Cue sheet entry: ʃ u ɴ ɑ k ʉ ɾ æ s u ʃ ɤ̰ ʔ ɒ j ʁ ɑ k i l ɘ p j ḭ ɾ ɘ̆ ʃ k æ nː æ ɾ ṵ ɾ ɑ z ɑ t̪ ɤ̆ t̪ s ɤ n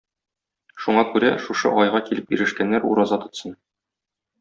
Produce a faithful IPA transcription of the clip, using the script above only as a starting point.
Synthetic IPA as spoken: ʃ u ɴ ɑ k ʉ ɾ æ ʃ u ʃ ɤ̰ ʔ ɒ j ʁ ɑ k i l ɘ p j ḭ ɾ ɘ̆ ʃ k æ nː æ ɾ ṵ ɾ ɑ z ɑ t̪ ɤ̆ t̪ s ɤ n